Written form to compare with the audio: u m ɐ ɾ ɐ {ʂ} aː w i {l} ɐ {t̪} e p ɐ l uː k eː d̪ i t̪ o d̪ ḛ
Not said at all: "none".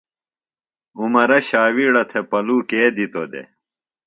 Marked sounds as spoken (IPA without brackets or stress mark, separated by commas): ɕ, ɽ, t̪ʰ